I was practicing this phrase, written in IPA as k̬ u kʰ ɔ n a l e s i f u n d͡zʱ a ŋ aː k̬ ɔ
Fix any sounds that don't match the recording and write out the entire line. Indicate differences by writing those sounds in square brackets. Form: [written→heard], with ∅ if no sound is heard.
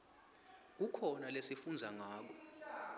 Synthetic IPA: k̬ u kʰ ɔ n a l e s i f u n d͡zʱ a ŋ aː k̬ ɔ